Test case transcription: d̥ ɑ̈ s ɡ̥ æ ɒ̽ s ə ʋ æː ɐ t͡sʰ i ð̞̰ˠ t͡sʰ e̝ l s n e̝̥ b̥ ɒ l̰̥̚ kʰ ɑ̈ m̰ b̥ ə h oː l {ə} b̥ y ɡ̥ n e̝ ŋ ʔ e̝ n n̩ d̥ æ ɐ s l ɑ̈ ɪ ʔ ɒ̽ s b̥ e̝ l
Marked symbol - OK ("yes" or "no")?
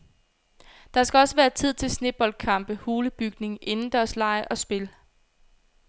yes